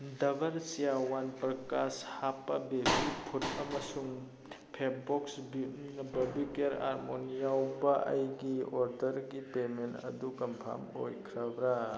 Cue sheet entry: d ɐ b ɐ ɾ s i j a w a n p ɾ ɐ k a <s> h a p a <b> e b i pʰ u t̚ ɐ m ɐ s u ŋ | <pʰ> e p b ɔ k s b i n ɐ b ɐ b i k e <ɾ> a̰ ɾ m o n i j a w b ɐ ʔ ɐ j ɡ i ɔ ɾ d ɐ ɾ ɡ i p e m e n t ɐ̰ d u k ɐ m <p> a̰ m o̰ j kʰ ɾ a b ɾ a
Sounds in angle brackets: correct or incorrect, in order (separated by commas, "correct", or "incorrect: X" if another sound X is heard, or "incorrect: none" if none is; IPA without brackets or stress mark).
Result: correct, correct, correct, correct, incorrect: pʰ